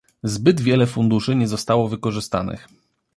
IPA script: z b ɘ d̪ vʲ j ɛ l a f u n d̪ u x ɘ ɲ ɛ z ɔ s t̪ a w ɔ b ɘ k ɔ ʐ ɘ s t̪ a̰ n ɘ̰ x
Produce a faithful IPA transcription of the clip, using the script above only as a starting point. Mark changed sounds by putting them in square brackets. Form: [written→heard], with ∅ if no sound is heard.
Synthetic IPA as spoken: z b ɘ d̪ vʲ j ɛ l [a→ɛ] f u n d̪ u [x→ʂ] ɘ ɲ ɛ z ɔ s t̪ a w ɔ [b→v] ɘ k ɔ ʐ ɘ s t̪ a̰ n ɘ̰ x